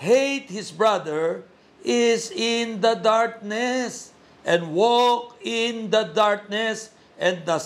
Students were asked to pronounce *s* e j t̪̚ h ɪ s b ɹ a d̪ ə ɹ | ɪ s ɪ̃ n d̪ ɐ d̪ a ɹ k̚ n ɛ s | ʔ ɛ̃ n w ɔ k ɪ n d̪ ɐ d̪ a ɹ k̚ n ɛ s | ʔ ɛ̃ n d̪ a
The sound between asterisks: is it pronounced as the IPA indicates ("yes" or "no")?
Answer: no